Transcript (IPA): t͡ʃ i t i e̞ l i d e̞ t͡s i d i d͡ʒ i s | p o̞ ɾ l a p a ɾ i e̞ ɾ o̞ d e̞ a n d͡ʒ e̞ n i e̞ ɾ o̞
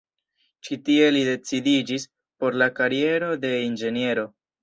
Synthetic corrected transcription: t͡ʃ i t i e̞ l i d e̞ t͡s i d i d͡ʒ i s | p o̞ ɾ l a k a ɾ i e̞ ɾ o̞ d e̞ i n d͡ʒ e̞ n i e̞ ɾ o̞